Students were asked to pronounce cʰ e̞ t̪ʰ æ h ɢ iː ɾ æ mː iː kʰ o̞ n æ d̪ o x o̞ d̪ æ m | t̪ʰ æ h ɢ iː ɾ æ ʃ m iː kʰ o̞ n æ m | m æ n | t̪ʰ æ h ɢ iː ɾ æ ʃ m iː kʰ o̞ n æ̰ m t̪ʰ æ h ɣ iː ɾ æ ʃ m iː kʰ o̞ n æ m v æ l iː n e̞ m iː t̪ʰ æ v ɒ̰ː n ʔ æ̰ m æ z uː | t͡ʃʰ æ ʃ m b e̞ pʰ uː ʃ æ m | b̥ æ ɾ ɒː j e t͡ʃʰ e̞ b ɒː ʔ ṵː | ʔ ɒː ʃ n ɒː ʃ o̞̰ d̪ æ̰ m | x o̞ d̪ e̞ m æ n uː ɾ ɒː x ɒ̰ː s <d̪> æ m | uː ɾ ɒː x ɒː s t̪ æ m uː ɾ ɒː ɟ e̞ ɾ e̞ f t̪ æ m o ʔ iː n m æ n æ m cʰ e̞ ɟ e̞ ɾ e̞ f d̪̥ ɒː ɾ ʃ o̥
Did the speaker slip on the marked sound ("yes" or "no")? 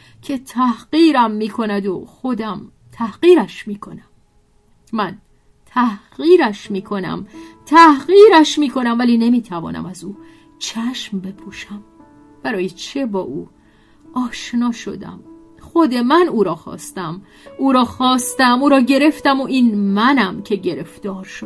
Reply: yes